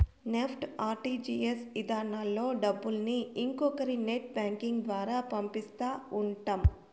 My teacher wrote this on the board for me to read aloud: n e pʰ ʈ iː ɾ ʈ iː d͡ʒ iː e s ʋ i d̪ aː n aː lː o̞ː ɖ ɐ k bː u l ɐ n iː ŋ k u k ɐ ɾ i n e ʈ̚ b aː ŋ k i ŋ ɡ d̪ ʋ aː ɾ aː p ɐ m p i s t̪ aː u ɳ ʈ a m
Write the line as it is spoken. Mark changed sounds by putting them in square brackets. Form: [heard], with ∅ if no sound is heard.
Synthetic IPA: n e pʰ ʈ [aː] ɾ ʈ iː d͡ʒ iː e s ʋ i d̪ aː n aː lː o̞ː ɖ ɐ [∅] bː u l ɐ n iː ŋ k [ɔ] k ɐ ɾ i n e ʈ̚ b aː ŋ k i ŋ ɡ d̪ ʋ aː ɾ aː p ɐ m p i s t̪ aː u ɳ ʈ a m